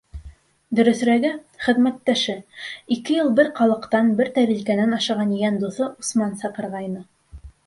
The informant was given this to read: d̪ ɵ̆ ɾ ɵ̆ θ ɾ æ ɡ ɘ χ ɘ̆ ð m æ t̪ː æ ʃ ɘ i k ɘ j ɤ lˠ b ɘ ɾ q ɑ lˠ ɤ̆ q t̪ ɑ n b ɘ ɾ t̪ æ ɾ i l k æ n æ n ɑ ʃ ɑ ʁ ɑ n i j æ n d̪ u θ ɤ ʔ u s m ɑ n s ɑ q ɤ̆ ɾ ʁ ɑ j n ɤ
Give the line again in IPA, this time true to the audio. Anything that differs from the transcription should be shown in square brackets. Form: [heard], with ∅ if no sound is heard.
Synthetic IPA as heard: d̪ ɵ̆ ɾ ɵ̆ θ ɾ æ ɡ ɘ χ ɘ̆ ð m æ t̪ː æ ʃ ɘ i k ɘ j ɤ lˠ b ɘ ɾ q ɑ lˠ ɤ̆ q t̪ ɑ n b ɘ ɾ t̪ æ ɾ i l k æ n æ n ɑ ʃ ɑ ʁ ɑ n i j æ n d̪ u θ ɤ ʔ u s m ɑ n s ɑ q ɤ̆ ɾ ʁ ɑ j n ɤ